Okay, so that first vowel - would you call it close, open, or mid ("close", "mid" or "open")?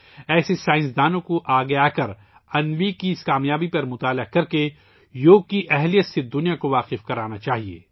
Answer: mid